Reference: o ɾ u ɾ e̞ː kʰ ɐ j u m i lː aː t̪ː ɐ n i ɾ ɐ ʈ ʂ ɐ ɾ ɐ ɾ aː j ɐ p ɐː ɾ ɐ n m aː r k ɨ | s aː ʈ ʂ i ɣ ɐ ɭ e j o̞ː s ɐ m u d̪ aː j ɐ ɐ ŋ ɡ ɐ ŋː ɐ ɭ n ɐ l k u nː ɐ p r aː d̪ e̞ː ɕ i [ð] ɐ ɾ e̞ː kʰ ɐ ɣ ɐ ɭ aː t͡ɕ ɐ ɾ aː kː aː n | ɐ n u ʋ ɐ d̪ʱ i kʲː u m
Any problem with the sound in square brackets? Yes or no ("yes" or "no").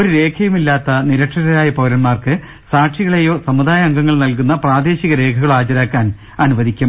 yes